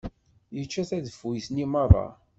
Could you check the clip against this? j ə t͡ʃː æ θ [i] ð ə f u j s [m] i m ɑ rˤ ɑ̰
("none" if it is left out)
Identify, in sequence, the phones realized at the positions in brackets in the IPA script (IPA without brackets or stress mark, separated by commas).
æ, n